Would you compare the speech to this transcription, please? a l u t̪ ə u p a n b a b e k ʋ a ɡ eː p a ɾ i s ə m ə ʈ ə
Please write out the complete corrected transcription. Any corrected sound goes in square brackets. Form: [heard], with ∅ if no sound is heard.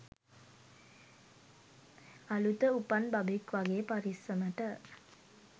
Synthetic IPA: a l u t̪ ə u p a n b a b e k ʋ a ɡ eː p a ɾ i s ə m ə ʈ ə